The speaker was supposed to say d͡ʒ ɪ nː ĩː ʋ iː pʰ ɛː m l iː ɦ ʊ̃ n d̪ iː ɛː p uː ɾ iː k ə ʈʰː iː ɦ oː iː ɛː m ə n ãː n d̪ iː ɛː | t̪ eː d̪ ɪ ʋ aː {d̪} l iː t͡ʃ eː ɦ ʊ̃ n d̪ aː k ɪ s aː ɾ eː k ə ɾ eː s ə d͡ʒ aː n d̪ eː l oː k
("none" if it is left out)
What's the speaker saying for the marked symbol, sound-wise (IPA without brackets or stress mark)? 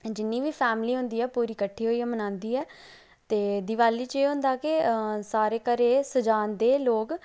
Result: none